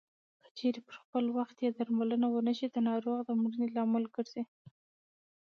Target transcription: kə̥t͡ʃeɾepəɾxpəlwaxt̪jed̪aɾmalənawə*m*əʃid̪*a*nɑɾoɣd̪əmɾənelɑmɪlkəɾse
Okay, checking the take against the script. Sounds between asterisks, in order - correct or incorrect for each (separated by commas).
incorrect, incorrect